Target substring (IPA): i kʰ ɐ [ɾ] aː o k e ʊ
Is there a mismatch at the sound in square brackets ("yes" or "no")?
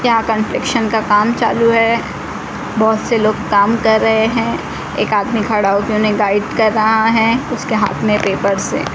yes